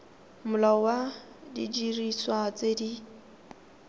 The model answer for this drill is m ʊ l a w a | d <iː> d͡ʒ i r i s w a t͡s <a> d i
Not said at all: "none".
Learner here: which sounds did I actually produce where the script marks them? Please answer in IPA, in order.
i, e

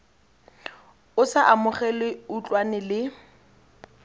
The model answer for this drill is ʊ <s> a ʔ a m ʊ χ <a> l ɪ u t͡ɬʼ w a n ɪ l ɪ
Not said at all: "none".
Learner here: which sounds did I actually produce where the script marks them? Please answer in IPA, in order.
s, ɛ

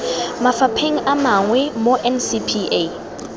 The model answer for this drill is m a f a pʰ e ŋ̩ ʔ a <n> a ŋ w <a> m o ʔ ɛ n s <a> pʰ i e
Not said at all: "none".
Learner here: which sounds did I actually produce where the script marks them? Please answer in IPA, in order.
m, ɛ, i

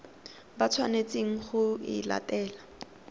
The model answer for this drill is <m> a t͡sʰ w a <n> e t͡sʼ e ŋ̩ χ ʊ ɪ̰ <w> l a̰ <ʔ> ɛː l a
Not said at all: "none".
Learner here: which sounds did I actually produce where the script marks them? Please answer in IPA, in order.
b, n, none, t

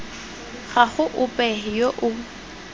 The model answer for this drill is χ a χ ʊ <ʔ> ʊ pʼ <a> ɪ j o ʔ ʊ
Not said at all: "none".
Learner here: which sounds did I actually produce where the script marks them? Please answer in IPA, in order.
ʔ, ɛ

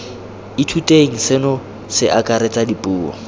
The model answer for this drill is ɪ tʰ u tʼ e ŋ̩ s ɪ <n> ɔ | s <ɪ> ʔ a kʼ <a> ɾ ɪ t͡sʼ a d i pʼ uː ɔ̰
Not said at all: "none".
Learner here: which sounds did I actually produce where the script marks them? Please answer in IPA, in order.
n, ɪ, a

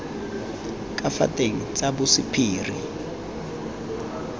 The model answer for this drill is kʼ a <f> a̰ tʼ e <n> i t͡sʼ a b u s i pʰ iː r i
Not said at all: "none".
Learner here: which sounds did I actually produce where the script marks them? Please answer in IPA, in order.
f, ŋ

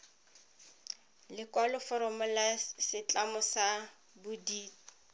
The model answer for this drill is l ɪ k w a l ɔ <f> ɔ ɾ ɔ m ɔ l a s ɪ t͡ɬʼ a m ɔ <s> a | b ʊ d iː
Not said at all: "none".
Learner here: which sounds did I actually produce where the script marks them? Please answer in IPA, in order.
f, s

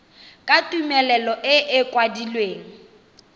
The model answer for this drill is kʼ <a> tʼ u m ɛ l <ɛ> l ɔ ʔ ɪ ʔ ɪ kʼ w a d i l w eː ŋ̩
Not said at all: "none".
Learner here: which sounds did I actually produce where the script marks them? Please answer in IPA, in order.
a, ɛ

